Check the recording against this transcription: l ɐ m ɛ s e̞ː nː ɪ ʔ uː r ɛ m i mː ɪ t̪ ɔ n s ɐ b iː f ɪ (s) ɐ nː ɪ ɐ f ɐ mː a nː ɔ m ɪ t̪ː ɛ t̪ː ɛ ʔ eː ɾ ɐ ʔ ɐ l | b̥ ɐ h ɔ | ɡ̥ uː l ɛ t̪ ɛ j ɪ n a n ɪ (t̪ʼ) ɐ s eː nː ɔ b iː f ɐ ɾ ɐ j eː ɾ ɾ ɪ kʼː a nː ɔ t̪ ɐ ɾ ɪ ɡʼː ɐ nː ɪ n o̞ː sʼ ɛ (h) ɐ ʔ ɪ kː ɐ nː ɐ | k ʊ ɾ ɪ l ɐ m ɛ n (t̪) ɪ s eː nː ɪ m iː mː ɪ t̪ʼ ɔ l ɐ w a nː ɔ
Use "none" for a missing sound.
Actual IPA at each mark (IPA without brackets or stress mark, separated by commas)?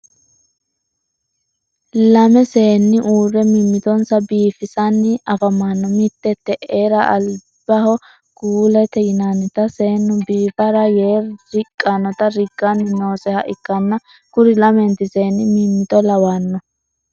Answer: s, t̪, h, t̪